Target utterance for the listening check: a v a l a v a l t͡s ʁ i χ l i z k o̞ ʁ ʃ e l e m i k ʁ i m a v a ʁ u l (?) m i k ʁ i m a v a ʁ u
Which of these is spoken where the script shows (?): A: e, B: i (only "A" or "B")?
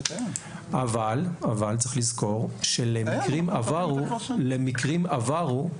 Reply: A